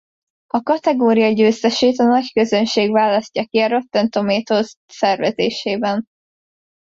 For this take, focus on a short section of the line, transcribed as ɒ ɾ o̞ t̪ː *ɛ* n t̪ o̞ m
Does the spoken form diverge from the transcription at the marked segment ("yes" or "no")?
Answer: no